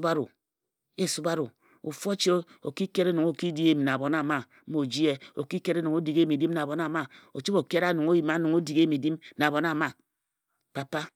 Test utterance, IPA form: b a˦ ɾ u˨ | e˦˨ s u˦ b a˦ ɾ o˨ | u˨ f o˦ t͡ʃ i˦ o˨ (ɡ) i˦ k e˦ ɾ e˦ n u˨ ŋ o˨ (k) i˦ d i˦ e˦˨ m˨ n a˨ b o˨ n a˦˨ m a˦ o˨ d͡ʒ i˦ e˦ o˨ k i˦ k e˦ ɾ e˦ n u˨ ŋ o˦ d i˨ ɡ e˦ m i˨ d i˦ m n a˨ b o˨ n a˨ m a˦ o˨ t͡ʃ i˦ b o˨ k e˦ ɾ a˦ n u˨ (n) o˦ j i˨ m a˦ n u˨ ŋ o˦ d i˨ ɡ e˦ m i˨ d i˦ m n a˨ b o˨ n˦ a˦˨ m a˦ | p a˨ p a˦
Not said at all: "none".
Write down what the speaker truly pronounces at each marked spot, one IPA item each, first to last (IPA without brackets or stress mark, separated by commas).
k, k, ŋ